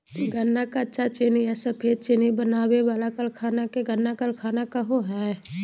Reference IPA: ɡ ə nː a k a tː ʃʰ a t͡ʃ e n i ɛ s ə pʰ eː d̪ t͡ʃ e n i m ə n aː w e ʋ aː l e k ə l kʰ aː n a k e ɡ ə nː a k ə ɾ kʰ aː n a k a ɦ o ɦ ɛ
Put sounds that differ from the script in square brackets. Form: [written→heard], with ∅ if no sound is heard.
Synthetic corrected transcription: ɡ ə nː a k a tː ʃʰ a t͡ʃ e n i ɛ s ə pʰ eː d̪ t͡ʃ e n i [m→b] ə n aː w e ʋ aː l [e→a] k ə l kʰ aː n a k e ɡ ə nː a k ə [ɾ→l] kʰ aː n a k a ɦ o ɦ ɛ